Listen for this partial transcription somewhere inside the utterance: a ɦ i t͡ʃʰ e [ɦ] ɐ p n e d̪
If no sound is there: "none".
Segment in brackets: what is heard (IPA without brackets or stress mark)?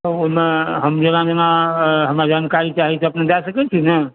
none